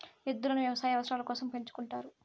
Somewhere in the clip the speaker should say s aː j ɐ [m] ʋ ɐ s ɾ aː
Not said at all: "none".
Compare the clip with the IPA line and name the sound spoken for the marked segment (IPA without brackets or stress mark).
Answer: none